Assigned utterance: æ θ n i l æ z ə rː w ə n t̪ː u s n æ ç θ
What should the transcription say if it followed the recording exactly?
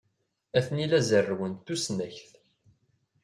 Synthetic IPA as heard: æ θ n i l æ z ə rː w ə n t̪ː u s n æ ç θ